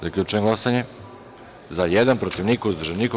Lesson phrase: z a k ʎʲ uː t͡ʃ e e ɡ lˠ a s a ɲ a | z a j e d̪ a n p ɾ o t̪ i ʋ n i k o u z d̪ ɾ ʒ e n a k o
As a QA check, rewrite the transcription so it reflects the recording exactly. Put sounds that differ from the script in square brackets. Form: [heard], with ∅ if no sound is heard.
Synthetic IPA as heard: z a k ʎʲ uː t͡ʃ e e ɡ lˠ a s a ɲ [e] | z a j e d̪ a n p ɾ o t̪ i ʋ n i k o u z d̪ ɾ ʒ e n [i] k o